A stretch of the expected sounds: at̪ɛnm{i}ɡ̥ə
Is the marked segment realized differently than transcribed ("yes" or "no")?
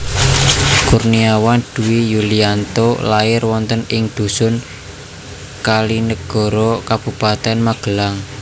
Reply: yes